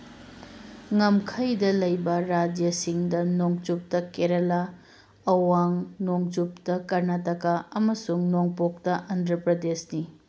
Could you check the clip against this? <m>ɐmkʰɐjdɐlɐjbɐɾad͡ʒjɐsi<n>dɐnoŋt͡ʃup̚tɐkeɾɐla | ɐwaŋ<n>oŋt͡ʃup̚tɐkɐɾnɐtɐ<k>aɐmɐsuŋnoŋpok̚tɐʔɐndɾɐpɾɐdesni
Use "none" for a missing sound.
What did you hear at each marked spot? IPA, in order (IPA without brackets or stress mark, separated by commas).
ŋ, ŋ, n, k